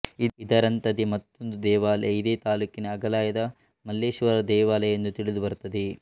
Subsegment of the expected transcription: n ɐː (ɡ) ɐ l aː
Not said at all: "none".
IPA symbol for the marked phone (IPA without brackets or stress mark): ɡ